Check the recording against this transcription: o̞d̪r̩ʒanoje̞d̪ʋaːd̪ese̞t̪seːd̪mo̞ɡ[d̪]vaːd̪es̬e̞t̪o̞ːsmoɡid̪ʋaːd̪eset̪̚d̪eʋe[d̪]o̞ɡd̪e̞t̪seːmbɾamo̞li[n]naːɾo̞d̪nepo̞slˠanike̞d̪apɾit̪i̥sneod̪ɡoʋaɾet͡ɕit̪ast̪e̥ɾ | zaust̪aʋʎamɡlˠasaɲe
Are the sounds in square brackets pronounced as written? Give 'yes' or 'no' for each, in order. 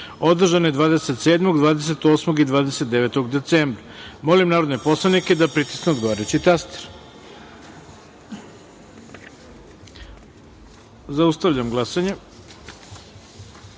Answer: yes, no, no

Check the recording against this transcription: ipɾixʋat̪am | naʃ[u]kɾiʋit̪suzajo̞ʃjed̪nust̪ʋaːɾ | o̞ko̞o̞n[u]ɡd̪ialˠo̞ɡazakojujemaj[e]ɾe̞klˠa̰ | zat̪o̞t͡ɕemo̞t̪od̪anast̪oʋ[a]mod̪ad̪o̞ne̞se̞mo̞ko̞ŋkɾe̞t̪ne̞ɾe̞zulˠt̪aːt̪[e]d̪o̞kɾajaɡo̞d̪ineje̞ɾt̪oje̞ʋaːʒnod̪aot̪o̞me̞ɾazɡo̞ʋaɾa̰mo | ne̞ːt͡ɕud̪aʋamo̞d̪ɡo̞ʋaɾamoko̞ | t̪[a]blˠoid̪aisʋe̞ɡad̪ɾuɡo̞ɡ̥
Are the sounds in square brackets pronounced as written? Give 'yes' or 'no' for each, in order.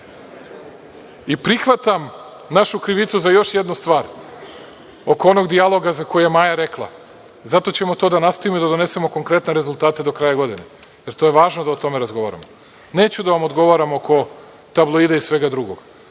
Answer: yes, no, no, no, yes, yes

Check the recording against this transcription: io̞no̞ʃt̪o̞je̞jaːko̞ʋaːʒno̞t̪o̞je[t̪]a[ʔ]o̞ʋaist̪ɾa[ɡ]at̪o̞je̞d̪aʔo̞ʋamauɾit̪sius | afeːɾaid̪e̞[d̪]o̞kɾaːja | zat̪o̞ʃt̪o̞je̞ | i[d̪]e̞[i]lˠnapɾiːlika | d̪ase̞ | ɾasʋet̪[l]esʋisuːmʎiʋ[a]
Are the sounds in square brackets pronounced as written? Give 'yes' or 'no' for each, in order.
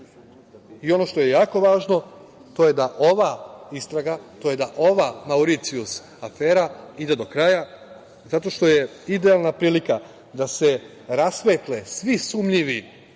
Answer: no, yes, yes, yes, yes, no, yes, no

